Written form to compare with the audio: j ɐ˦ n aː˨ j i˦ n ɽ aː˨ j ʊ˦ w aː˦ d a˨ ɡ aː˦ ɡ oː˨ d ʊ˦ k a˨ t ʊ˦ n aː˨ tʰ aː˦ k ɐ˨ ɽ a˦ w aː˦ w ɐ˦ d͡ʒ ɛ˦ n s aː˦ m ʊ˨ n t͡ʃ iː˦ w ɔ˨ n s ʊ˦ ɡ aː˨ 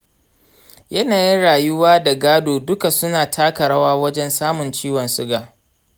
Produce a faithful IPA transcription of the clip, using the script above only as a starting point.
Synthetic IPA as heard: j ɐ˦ n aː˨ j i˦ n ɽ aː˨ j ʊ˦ w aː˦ d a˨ ɡ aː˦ d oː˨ d ʊ˦ k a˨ s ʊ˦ n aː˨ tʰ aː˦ k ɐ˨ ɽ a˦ w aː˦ w ɐ˦ d͡ʒ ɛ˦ n s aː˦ m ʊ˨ n t͡ʃ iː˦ w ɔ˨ n s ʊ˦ ɡ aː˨